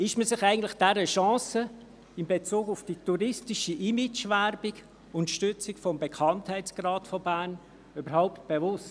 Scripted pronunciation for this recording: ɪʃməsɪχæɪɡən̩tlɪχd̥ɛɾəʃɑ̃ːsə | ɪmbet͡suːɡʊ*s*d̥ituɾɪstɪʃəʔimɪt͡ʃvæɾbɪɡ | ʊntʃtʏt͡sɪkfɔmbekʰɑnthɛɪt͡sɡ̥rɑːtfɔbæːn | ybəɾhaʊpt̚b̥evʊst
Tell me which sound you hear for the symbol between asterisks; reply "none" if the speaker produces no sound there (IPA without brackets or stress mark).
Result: f